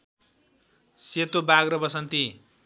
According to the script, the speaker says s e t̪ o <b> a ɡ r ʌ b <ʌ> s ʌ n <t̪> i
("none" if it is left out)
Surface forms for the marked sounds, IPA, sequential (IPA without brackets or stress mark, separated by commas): b, ʌ, t̪